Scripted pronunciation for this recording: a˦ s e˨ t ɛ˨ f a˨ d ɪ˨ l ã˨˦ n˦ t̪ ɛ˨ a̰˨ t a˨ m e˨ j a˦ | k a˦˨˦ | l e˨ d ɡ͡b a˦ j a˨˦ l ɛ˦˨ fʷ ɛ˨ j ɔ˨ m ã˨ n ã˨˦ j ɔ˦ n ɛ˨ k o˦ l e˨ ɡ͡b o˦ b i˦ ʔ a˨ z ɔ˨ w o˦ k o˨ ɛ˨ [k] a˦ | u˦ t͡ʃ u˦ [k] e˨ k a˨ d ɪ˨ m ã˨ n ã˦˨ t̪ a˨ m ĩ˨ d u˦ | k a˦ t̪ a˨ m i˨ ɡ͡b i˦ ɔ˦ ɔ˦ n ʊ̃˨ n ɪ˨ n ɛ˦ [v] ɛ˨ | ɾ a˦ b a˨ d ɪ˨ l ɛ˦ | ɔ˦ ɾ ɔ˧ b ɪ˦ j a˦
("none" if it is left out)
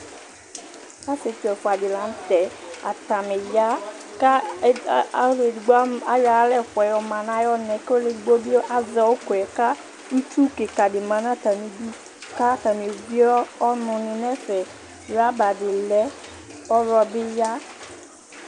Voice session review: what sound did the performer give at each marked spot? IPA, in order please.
k, k, f

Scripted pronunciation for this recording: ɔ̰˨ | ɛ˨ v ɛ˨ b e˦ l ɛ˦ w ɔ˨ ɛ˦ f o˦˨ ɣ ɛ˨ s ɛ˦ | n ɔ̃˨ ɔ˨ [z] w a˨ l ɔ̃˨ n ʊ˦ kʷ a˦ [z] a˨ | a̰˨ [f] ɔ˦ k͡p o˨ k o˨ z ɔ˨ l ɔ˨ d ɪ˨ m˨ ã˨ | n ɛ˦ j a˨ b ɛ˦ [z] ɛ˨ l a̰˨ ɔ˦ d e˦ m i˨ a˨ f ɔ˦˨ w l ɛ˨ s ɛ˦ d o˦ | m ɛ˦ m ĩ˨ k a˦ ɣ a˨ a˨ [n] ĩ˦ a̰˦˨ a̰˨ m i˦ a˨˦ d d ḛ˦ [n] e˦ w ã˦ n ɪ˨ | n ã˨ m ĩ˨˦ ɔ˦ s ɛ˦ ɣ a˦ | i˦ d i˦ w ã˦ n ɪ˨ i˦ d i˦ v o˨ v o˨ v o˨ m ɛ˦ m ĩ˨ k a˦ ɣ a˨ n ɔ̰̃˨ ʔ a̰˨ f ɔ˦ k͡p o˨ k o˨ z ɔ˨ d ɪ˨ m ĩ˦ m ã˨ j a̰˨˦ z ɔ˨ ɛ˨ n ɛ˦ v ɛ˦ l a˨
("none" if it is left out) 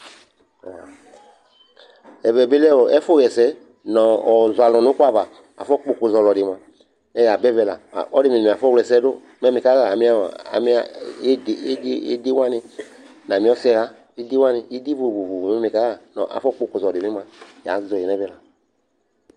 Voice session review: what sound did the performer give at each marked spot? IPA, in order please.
z, v, f, v, m, d

